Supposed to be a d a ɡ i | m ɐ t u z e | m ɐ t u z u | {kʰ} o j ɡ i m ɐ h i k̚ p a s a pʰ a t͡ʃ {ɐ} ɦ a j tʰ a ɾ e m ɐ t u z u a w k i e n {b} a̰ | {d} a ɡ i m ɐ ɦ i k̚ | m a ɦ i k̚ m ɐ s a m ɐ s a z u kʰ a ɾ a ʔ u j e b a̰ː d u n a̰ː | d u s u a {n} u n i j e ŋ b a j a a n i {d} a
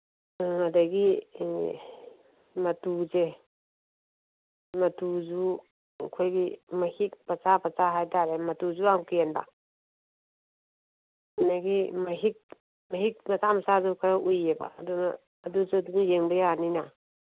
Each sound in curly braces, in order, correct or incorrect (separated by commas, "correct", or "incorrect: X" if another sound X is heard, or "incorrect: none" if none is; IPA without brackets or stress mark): correct, incorrect: a, correct, incorrect: n, incorrect: d, incorrect: n